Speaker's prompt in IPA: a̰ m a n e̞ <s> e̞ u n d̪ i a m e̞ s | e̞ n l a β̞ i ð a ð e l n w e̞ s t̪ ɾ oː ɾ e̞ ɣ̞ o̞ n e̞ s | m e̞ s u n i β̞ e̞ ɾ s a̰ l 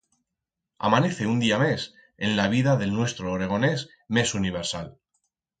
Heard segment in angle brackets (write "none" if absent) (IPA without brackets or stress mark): θ